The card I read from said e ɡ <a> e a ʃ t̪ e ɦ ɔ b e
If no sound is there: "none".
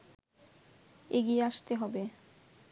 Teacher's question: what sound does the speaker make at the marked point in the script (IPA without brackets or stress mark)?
i